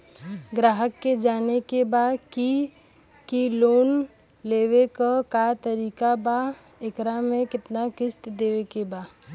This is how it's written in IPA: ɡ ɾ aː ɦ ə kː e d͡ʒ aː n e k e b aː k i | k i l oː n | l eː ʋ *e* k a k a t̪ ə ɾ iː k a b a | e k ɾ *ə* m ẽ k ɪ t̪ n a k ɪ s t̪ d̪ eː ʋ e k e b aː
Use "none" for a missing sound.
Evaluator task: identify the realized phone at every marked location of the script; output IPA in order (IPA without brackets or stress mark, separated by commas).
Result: e, a